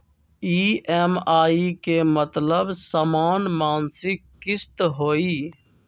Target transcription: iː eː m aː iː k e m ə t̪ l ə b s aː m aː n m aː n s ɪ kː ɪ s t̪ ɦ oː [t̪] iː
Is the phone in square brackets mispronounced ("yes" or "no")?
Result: yes